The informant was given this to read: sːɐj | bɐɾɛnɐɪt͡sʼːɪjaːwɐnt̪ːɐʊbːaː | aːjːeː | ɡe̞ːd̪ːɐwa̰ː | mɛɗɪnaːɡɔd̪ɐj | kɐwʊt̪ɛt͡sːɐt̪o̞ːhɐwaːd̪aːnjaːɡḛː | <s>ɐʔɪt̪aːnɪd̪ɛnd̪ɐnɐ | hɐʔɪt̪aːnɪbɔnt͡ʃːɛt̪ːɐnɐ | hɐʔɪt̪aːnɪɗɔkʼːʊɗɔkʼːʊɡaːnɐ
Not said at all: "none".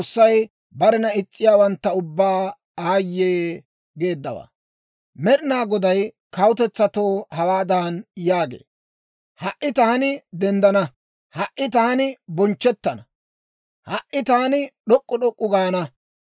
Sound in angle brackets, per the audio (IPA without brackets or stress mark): h